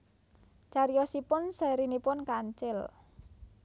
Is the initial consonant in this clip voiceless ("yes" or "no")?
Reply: yes